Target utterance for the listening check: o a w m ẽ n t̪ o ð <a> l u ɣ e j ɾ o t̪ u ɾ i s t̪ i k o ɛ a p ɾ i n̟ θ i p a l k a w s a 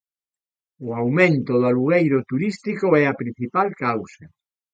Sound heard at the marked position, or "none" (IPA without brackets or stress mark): a